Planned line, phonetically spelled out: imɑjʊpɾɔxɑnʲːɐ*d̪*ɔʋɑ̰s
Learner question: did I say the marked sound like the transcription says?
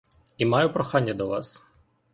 yes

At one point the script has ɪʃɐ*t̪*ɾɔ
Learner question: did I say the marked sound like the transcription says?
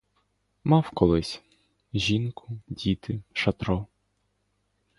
yes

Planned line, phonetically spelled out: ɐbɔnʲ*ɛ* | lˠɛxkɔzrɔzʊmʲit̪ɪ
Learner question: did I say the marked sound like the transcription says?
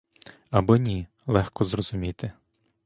no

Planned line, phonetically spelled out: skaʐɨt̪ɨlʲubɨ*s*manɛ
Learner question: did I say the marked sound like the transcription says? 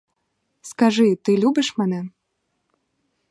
no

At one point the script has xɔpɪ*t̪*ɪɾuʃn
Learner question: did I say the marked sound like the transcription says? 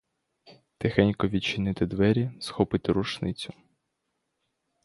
yes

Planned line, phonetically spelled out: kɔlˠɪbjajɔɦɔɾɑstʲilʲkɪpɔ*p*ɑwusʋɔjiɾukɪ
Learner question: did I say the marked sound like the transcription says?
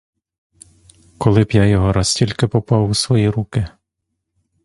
yes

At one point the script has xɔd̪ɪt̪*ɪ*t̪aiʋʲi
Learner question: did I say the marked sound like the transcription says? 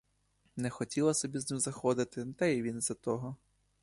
yes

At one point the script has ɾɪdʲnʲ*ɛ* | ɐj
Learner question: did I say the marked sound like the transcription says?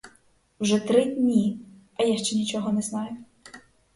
no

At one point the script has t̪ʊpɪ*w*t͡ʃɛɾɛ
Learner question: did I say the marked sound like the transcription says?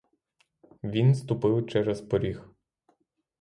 yes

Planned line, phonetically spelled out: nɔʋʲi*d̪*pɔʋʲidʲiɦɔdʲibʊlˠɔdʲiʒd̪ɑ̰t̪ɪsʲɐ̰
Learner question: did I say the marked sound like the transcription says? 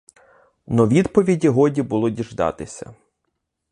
yes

